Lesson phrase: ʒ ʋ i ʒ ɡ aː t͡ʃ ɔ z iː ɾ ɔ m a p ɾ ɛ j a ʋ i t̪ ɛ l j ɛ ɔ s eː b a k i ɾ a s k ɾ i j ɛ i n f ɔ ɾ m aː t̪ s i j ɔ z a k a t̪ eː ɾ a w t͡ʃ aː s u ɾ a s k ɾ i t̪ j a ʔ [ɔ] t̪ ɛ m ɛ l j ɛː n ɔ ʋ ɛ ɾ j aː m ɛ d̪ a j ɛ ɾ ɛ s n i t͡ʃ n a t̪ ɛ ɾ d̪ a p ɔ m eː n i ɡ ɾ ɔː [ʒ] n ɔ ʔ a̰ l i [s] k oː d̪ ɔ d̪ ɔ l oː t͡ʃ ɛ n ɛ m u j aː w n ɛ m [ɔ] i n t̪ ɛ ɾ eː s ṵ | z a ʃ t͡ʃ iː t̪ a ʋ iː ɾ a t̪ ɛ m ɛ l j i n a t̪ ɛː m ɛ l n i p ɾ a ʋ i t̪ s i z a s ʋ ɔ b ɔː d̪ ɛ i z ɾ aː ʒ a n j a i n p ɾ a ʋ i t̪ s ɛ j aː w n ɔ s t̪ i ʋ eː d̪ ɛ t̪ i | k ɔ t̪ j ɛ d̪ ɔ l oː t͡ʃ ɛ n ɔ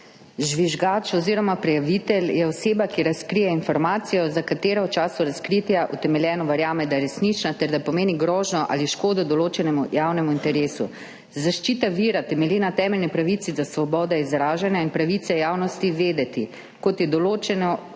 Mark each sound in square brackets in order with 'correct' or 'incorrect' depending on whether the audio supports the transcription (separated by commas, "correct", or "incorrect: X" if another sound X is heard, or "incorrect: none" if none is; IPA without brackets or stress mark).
incorrect: u, correct, incorrect: ʃ, incorrect: u